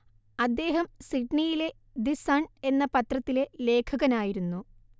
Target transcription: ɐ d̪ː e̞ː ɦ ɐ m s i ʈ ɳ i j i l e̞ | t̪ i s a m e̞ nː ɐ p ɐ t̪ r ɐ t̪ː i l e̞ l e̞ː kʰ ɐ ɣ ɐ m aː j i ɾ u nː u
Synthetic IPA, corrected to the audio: ɐ d̪ː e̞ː ɦ ɐ m s i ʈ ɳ i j i l e̞ | d̪ i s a ɳ e̞ nː ɐ p ɐ t̪ r ɐ t̪ː i l e̞ l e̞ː kʰ ɐ ɣ ɐ n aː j i ɾ u nː u